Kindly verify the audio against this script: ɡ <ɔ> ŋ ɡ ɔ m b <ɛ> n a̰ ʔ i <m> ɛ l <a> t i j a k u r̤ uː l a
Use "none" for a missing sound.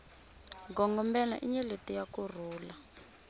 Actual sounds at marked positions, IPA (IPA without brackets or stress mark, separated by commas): ɔ, ɛ, ɲ, e